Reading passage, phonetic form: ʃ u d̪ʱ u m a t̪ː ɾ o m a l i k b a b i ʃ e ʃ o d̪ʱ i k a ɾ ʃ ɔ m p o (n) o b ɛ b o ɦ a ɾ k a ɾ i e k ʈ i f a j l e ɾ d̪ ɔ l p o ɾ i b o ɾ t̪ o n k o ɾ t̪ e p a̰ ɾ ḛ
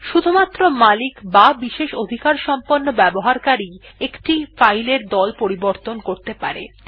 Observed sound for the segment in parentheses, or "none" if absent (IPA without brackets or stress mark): nː